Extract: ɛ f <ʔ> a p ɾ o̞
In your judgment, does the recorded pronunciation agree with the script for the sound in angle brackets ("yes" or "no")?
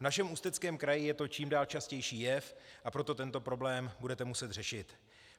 yes